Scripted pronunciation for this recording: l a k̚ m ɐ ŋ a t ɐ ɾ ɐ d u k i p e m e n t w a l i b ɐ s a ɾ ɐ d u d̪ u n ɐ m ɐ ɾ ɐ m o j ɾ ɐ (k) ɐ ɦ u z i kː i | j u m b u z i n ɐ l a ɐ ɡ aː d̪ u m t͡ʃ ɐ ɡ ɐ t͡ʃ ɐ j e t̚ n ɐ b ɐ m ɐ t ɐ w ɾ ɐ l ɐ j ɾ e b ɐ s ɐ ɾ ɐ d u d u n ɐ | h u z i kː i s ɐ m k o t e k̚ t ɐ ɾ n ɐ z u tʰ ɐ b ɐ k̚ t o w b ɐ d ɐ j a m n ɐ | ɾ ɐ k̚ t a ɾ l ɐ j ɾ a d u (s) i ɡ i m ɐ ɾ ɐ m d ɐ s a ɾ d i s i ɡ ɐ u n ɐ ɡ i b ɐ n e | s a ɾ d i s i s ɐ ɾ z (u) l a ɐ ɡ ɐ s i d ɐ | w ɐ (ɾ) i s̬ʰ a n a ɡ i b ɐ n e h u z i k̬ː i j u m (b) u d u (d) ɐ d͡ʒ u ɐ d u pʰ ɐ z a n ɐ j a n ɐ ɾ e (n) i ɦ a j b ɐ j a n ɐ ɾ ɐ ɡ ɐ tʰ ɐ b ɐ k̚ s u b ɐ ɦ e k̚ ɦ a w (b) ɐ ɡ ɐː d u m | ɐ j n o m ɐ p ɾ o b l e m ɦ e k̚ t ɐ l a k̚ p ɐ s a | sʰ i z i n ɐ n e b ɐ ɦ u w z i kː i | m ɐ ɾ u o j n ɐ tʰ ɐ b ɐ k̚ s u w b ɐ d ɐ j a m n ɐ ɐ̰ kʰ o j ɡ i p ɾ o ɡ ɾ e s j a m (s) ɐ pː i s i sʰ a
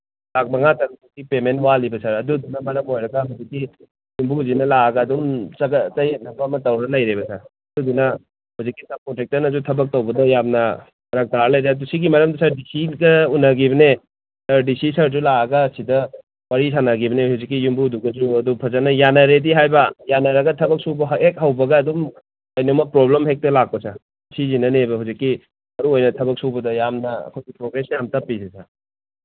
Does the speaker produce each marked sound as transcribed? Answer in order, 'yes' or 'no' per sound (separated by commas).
no, yes, yes, yes, yes, no, no, yes, no